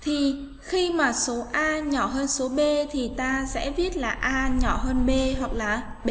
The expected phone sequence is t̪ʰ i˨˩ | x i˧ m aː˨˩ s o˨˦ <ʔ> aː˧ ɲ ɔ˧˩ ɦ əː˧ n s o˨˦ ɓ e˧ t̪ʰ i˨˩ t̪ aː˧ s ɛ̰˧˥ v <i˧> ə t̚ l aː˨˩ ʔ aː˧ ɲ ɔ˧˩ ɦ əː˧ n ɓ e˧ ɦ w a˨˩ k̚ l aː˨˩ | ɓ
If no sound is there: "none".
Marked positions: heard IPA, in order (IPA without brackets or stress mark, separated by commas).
ʔ, i˦˥